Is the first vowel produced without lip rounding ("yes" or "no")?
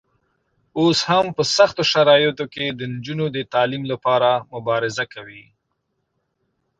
no